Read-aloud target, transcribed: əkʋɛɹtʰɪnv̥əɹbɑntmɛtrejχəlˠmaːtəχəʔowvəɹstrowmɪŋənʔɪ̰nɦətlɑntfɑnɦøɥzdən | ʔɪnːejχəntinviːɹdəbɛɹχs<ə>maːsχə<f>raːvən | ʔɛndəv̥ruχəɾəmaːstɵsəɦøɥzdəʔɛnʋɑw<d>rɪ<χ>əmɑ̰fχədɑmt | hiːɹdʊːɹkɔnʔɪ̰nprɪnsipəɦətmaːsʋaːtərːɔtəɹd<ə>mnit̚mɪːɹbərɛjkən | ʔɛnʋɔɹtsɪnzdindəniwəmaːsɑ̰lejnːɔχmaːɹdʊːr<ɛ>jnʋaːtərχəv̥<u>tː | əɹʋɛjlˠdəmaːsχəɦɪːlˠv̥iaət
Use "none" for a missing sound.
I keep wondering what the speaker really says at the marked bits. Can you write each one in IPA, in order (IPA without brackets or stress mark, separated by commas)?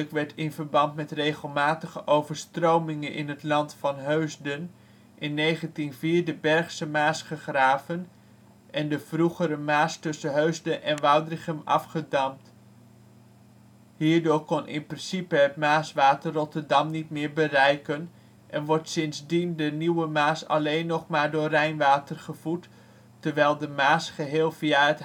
ə, χ, d, χ, ɑ, ɛ, u